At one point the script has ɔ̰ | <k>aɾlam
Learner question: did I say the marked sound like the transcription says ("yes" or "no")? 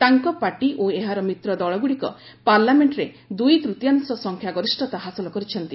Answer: no